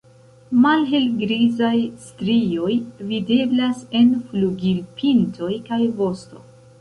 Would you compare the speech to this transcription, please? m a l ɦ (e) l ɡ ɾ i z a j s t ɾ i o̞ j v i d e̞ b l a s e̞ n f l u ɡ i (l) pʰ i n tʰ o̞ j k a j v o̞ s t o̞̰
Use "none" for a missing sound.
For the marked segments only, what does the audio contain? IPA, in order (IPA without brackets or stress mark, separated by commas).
e, l